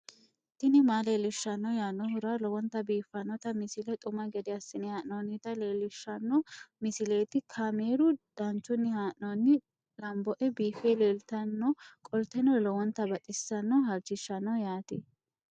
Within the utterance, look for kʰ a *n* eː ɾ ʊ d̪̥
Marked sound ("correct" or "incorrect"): incorrect